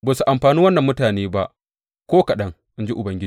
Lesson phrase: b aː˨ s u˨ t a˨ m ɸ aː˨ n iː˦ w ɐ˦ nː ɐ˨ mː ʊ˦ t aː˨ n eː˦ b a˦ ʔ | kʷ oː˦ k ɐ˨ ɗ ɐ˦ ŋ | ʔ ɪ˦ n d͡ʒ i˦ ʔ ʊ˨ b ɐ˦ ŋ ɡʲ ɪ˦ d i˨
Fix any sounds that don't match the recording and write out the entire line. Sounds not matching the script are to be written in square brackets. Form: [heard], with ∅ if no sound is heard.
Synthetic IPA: b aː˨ s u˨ [ʔ] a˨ m ɸ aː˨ n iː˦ w ɐ˦ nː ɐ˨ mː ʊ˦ t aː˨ n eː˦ b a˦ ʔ | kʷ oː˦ k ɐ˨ ɗ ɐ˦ ŋ | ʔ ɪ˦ n d͡ʒ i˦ ʔ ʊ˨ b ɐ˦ ŋ ɡʲ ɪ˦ [d͡ʒ] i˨